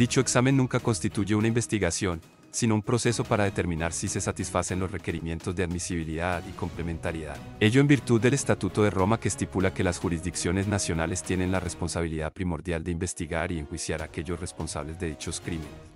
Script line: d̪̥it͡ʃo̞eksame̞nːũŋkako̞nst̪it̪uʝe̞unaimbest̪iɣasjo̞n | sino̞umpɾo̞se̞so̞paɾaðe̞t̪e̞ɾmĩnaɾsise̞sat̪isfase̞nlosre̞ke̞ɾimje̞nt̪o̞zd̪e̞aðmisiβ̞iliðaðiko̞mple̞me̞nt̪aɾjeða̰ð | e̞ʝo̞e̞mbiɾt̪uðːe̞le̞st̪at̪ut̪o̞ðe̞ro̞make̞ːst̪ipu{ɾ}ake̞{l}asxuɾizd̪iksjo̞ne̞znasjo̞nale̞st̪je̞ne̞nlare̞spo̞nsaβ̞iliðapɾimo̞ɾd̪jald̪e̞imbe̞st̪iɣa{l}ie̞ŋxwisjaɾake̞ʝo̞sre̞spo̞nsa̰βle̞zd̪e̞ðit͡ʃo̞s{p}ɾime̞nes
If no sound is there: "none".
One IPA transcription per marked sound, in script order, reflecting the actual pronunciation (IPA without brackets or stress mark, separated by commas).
l, l, ɾ, k